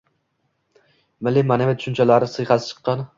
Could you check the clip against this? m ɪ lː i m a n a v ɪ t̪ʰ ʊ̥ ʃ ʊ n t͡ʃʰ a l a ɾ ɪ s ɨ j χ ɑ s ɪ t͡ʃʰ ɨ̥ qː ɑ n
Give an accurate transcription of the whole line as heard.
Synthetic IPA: m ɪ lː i m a n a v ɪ t̪ʰ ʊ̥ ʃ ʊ n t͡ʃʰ a l a ɾ ɪ s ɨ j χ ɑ s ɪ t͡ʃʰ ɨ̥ qː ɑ n